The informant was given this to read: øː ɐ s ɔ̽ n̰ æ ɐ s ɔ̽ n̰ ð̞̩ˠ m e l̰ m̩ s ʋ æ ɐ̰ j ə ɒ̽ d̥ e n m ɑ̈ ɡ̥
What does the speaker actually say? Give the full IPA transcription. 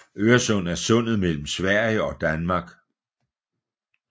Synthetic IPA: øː ɐ s ɔ̽ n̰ æ ɐ s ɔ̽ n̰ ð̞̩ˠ m e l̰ m̩ s ʋ æ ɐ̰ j ə ɒ̽ d̥ æ n m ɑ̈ ɡ̥

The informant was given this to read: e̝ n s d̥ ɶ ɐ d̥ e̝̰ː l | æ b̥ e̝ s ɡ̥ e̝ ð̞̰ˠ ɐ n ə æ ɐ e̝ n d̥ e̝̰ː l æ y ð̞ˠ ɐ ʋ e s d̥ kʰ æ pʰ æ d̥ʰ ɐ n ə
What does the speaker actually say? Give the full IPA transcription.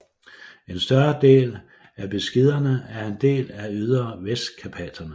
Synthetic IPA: e̝ n s d̥ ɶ ɐ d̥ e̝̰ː l | æ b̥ e̝ s ɡ̥ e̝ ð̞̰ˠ ɐ n ə æ ɐ e̝ n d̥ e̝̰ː l æ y ð̞ˠ ɐ ʋ e s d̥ kʰ æ pʰ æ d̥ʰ ɐ n ə

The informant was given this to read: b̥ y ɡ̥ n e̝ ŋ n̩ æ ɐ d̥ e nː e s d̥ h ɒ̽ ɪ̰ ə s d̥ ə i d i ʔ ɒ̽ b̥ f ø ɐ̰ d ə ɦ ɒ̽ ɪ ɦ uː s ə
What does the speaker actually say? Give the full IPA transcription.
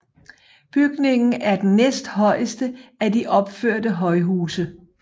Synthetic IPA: b̥ y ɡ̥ n e̝ ŋ n̩ æ ɐ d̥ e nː e s d̥ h ɒ̽ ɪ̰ ə s d̥ ə æ d i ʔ ɒ̽ b̥ f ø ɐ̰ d ə ɦ ɒ̽ ɪ ɦ uː s ə

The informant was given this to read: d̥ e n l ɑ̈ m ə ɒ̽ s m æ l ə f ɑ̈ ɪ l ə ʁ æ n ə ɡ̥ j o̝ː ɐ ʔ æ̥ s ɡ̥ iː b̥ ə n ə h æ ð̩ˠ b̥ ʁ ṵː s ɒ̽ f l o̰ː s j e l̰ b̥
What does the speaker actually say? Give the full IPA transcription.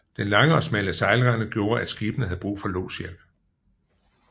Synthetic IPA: d̥ e n l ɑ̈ ŋ ə ɒ̽ s m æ l ə s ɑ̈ ɪ l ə ʁ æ n ə ɡ̥ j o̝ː ɐ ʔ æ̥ s ɡ̥ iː b̥ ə n ə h æ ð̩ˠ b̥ ʁ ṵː f ɒ̽ l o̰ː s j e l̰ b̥

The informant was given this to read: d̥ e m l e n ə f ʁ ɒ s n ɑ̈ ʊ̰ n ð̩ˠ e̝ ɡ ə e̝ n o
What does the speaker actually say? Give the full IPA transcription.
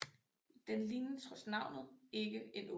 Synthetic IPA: d̥ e n l i n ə s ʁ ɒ s n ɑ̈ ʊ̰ n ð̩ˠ e̝ ɡ ə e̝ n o

